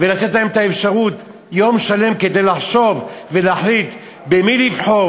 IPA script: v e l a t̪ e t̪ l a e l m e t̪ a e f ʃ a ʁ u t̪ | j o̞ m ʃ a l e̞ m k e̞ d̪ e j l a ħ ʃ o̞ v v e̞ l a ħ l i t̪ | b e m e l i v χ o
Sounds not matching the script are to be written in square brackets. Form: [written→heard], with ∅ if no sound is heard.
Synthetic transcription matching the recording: v e l a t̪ e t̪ l a e [l→∅] m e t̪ a e f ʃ a ʁ u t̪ | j o̞ m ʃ a l e̞ m k e̞ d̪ e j l a ħ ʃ o̞ v v e̞ l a ħ l i t̪ | b e m [e→i] l i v [χ→ħ] o